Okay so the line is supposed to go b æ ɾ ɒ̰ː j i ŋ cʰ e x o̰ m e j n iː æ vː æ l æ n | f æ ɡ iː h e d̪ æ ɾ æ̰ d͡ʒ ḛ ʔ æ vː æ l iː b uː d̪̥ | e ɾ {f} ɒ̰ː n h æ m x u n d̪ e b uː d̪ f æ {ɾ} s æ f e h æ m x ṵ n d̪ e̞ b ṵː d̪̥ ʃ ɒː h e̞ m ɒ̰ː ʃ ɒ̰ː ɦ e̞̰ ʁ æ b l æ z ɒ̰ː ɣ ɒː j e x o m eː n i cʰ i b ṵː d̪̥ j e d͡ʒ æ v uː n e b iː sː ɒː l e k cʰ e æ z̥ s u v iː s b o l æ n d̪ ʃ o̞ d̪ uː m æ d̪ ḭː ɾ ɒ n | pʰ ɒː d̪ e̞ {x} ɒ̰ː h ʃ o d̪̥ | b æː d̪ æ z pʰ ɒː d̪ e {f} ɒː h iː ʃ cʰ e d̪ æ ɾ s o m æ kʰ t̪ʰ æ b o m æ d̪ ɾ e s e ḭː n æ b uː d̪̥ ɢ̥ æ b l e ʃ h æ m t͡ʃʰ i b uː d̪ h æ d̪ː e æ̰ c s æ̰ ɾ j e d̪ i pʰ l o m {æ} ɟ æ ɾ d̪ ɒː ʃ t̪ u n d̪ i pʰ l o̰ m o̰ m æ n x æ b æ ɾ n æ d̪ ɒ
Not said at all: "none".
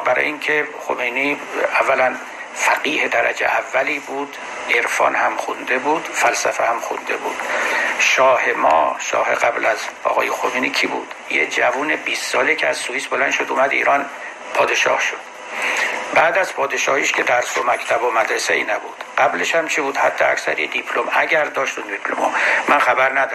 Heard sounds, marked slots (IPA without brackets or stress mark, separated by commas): f, l, ʃ, ʃ, æ